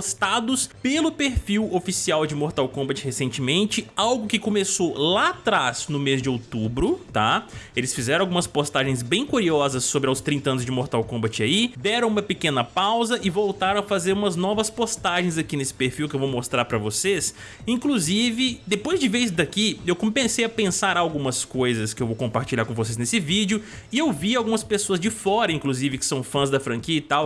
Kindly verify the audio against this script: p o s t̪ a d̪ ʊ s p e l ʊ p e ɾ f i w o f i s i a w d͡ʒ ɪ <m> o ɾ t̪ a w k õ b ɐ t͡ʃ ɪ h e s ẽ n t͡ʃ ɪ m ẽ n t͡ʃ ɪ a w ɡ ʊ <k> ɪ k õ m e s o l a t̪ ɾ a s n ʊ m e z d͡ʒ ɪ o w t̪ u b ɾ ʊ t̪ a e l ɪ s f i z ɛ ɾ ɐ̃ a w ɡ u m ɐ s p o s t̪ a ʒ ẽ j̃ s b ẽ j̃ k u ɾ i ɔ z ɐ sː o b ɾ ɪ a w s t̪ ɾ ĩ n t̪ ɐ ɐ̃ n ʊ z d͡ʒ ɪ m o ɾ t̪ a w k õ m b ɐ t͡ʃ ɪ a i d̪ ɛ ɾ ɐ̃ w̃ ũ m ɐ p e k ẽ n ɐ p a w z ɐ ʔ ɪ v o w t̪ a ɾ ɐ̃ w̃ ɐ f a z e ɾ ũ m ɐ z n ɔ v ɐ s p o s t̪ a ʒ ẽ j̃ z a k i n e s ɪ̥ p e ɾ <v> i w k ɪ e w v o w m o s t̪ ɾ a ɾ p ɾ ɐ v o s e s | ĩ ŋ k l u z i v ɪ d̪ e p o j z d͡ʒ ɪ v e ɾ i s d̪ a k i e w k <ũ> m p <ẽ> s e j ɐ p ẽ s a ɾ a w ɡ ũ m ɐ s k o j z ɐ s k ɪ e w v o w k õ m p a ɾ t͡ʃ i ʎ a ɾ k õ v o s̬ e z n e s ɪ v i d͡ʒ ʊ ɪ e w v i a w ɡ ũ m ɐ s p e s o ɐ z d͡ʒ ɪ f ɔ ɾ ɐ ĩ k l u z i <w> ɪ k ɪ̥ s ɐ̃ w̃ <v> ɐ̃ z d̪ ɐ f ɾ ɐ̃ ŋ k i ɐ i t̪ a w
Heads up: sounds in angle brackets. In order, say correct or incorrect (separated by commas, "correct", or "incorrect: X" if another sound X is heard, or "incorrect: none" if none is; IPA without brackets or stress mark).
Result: correct, correct, incorrect: f, incorrect: õ, correct, incorrect: v, incorrect: f